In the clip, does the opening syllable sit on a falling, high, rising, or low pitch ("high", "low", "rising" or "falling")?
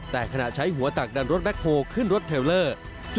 low